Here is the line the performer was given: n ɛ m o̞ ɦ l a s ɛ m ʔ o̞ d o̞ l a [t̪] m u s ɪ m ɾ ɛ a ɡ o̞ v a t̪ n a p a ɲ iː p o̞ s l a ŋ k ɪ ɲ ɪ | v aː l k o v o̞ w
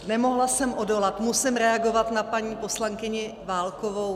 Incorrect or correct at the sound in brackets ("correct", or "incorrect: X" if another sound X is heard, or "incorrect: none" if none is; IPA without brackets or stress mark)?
correct